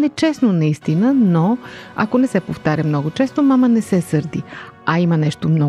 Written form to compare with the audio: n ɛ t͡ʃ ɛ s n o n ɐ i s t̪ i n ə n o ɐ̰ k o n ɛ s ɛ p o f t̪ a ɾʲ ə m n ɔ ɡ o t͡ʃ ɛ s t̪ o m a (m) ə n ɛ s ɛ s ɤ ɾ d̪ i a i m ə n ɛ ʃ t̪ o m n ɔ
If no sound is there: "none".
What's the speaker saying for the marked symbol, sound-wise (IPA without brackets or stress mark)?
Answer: m